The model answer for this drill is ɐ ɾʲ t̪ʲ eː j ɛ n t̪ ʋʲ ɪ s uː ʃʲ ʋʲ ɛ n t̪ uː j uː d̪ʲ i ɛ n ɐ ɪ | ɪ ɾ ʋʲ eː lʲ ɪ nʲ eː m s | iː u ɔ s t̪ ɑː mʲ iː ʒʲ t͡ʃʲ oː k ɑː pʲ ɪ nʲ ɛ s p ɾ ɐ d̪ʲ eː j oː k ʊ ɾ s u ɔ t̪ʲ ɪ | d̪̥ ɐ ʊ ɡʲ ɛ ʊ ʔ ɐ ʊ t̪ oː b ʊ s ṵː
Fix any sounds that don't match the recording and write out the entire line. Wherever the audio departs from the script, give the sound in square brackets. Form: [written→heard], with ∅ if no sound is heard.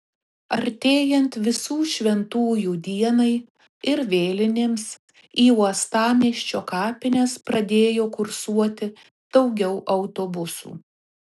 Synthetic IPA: ɐ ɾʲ t̪ʲ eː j ɛ n t̪ ʋʲ ɪ s uː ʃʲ ʋʲ ɛ n t̪ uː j uː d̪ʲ i ɛ n ɐ ɪ | ɪ ɾ ʋʲ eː lʲ ɪ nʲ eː m s | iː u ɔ s t̪ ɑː mʲ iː [ʒʲ→ʃʲ] t͡ʃʲ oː k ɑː pʲ ɪ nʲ ɛ s p ɾ ɐ d̪ʲ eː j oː k ʊ ɾ s u ɔ t̪ʲ ɪ | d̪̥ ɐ ʊ ɡʲ ɛ ʊ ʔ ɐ ʊ t̪ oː b ʊ s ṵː